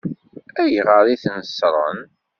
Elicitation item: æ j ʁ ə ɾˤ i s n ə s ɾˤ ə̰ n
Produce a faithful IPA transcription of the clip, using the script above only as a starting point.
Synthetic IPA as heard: æ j ʁ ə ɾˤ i θ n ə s ɾˤ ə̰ n